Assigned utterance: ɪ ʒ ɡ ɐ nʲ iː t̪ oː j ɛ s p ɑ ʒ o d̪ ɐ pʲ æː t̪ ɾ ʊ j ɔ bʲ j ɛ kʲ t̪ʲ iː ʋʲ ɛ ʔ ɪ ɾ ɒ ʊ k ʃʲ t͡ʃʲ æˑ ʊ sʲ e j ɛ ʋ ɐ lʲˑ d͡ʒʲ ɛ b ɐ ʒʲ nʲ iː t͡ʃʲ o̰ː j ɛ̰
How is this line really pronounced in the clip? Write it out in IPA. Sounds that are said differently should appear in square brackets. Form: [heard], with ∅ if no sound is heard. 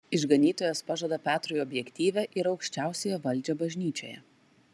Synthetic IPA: ɪ ʒ ɡ ɐ nʲ iː t̪ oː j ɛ s p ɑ ʒ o d̪ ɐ pʲ æː t̪ ɾ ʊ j ɔ bʲ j ɛ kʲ t̪ʲ iː ʋʲ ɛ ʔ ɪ ɾ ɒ ʊ k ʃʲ t͡ʃʲ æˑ ʊ sʲ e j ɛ ʋ ɐ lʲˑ d͡ʒʲ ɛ b ɐ ʒʲ nʲ iː t͡ʃʲ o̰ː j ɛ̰